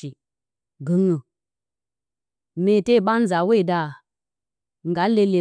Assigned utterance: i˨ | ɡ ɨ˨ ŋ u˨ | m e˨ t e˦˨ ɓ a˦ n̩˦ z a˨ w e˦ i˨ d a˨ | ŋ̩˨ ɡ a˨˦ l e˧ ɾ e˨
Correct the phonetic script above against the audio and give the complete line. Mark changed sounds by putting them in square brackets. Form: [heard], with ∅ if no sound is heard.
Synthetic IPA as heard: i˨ | ɡ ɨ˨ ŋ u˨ | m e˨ t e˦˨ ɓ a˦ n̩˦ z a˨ w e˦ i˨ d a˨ | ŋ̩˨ ɡ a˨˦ l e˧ [l] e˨